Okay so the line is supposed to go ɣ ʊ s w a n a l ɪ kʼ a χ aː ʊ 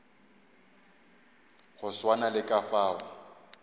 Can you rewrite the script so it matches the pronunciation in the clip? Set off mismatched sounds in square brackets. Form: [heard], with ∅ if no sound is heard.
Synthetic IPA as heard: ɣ ʊ s w a n a l ɪ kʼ a [f] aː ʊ